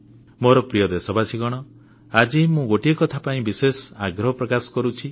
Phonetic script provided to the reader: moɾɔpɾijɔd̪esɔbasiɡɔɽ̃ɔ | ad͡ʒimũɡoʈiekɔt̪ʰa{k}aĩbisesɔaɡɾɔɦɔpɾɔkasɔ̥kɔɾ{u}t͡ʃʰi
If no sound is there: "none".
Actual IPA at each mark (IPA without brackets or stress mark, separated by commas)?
p, u